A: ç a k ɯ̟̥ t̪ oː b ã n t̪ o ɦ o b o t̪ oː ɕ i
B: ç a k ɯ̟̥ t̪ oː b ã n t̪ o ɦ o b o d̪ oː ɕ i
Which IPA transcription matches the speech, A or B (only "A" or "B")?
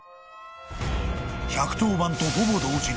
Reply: B